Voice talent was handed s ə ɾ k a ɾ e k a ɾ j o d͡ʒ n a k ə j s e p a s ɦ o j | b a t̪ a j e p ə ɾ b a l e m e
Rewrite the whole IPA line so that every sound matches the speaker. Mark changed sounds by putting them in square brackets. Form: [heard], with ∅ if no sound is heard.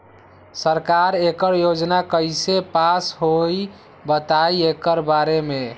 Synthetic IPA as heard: s ə ɾ k a ɾ e k [ə] ɾ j o d͡ʒ n a k ə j s e p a s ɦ o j | b [ə] t̪ a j e [k] ə ɾ b a [ɾ] e m e